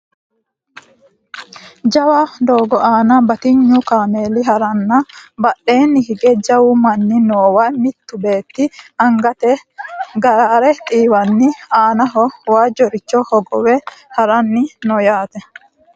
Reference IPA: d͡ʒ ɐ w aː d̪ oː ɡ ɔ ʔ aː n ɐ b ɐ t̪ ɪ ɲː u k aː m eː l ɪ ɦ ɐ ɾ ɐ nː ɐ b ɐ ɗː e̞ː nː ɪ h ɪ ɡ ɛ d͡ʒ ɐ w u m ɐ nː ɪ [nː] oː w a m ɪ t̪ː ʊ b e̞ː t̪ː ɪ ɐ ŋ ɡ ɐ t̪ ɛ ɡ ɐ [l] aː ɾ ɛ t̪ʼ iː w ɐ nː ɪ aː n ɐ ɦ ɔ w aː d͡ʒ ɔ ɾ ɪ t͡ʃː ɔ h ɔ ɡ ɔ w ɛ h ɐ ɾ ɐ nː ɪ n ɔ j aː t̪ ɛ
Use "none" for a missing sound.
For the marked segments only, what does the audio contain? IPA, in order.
n, ɾ

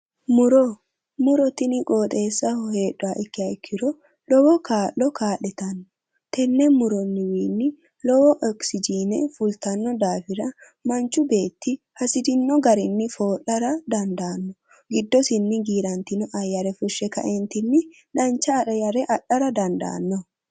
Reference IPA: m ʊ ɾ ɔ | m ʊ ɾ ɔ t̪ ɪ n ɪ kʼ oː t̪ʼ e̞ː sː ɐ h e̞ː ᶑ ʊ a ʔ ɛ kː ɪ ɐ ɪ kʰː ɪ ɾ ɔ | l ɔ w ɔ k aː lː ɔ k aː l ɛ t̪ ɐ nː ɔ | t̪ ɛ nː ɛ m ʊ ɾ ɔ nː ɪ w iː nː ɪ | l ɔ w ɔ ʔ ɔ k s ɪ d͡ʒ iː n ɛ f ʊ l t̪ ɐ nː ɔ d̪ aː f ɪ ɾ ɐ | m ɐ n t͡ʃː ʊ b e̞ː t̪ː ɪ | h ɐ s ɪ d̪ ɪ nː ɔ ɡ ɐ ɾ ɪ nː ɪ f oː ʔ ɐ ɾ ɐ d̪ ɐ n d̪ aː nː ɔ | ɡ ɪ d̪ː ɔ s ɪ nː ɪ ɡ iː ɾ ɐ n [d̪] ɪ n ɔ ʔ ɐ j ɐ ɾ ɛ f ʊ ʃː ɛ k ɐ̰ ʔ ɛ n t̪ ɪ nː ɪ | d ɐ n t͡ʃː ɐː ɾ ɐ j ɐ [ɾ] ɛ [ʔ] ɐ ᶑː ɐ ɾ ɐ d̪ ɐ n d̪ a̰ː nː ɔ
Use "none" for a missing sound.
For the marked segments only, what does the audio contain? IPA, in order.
t̪, ɾ, ʔ

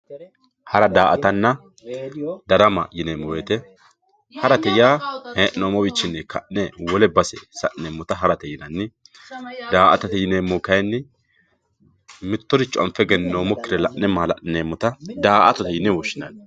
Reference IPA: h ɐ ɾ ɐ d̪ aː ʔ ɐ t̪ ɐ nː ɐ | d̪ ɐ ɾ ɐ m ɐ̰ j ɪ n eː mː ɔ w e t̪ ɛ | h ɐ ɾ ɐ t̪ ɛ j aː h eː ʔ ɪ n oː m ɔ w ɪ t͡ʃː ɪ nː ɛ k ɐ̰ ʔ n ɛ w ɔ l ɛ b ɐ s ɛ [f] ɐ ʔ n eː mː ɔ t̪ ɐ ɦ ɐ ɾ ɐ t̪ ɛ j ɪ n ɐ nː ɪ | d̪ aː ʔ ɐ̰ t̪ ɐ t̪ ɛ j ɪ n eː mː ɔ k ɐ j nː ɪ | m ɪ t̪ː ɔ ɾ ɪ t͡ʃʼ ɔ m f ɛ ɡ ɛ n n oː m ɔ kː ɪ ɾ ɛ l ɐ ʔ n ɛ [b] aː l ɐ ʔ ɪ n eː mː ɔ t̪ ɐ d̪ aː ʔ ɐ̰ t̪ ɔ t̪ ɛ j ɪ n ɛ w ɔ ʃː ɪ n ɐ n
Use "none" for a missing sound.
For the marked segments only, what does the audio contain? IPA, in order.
s, m

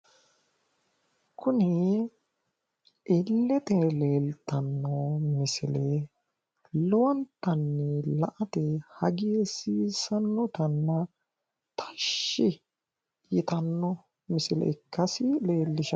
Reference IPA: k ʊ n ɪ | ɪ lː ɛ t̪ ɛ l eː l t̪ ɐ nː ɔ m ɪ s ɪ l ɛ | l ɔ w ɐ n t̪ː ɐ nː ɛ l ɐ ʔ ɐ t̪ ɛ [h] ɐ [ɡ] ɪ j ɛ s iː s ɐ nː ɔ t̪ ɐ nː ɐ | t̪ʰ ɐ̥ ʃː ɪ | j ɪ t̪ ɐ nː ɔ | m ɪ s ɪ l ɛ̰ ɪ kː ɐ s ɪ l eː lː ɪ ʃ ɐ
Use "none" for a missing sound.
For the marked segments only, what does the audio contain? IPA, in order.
h, ɡ

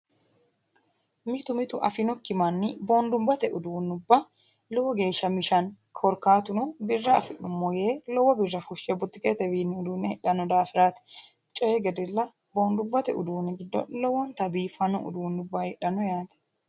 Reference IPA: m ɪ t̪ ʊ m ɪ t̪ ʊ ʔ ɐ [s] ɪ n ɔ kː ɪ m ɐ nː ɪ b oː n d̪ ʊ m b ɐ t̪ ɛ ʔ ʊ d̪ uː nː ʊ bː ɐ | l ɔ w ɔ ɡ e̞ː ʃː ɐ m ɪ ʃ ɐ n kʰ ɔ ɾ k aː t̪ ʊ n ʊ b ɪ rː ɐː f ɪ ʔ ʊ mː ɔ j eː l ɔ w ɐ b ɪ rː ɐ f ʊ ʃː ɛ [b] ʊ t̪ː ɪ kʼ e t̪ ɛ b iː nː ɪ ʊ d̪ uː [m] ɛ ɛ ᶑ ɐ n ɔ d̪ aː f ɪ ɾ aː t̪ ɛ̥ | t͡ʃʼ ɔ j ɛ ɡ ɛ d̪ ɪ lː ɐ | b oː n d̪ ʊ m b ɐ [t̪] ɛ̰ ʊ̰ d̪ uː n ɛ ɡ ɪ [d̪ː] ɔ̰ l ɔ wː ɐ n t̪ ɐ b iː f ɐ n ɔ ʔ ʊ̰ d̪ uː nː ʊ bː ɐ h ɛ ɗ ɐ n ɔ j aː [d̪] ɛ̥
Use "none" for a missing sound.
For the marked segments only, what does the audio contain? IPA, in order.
f, b, n, t̪, d̪ː, t̪

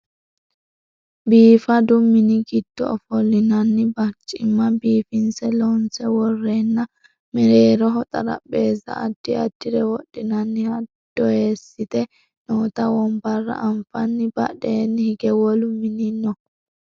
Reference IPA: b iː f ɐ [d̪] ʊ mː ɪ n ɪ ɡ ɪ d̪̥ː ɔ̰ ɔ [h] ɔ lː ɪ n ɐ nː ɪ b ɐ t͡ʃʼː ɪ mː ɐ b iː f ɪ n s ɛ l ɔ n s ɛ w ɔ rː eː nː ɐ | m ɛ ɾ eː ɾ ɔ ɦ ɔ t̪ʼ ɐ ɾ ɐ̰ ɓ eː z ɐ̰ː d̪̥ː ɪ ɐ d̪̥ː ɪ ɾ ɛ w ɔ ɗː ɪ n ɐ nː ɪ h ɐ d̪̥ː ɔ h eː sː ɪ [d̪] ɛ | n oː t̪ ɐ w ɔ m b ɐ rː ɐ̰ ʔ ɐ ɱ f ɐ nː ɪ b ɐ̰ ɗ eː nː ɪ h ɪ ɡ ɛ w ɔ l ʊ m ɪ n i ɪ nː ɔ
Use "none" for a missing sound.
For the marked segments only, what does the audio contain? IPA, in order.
d̪, f, t̪

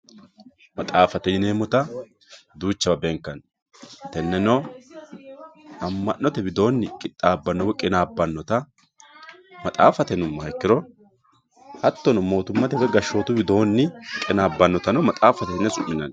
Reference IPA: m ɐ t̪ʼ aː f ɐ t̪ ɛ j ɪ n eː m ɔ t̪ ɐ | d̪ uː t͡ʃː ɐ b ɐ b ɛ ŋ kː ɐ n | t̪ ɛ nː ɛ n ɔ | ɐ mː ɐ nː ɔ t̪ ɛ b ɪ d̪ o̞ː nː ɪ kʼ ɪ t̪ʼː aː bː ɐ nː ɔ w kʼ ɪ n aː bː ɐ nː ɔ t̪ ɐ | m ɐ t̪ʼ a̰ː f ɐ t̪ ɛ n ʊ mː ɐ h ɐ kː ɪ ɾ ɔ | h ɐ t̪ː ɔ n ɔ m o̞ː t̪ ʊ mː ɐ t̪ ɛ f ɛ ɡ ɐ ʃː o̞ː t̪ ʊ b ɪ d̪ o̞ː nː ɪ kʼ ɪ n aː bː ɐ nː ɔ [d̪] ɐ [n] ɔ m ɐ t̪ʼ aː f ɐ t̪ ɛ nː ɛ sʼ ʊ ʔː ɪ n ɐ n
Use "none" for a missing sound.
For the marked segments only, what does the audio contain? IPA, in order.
t̪, n

